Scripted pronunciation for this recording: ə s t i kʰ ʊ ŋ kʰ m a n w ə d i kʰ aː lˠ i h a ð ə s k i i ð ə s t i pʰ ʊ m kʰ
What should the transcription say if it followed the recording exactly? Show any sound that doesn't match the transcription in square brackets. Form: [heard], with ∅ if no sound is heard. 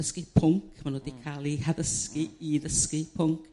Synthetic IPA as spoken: ə s [k] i [pʰ] ʊ ŋ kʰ m a n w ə d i kʰ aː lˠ i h a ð ə s k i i ð ə s [k] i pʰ ʊ [ŋ] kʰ